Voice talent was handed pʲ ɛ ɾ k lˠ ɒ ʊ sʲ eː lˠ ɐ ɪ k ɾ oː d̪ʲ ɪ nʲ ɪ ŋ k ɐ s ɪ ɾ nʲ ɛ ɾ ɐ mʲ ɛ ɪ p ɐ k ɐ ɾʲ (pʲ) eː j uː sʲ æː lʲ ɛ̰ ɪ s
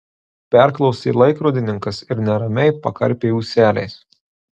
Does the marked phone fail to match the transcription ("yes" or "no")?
no